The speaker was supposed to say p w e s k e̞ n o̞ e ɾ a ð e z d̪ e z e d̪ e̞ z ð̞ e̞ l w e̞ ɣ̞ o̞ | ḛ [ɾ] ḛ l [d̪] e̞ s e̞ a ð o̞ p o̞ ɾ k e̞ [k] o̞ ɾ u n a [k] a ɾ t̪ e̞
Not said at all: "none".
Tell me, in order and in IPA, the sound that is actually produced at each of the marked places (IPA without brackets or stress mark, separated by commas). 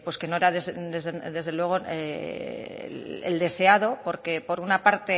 none, d̪, p, p